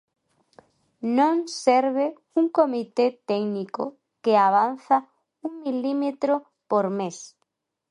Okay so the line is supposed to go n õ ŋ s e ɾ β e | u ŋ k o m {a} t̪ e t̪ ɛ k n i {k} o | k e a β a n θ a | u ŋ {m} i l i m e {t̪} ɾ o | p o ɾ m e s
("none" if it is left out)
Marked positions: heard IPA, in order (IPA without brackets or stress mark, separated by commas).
i, k, m, t̪